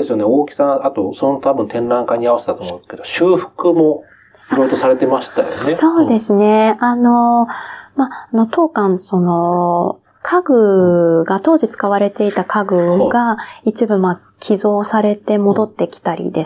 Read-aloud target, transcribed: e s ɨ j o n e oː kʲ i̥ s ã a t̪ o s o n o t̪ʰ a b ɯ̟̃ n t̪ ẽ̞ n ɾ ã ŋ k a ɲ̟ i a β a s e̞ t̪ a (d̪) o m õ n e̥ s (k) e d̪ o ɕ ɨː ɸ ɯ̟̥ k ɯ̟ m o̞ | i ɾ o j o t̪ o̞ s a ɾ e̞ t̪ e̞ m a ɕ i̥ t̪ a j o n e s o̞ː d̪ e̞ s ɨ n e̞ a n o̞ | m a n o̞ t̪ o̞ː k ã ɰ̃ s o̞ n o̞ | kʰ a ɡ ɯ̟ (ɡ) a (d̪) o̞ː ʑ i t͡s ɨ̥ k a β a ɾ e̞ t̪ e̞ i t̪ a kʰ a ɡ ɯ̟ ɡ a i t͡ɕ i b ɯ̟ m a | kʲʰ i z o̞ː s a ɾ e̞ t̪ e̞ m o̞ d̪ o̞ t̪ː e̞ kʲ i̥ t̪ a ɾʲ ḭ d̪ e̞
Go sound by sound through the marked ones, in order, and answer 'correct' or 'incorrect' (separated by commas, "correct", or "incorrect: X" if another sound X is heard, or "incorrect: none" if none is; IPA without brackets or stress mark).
incorrect: t̪, correct, correct, incorrect: t̪